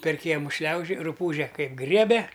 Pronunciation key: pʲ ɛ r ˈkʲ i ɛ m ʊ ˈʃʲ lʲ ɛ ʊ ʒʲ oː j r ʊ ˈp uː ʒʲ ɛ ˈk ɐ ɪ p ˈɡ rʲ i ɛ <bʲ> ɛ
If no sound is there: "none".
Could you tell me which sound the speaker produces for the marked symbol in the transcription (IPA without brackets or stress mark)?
bʲ